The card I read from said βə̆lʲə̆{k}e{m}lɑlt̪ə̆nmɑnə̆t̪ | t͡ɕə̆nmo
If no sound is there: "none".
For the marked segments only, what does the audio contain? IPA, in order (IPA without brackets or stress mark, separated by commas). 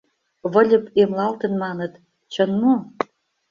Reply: p, m